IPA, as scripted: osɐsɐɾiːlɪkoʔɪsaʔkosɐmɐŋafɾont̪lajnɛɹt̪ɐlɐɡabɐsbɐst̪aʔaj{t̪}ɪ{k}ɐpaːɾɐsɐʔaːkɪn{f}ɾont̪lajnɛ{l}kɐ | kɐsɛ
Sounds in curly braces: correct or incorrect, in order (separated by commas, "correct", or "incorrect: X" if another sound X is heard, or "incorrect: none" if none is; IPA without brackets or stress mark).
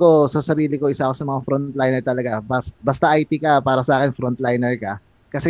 correct, correct, correct, incorrect: ɹ